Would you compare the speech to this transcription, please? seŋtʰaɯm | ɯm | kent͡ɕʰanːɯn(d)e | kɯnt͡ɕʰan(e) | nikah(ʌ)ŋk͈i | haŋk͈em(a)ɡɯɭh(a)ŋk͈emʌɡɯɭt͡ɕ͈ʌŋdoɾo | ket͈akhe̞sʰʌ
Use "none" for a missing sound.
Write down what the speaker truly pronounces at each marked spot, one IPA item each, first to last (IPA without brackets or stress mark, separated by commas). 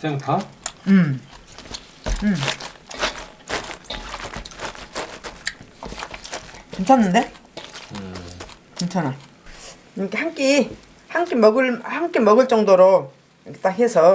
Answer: d, a, a, ʌ, a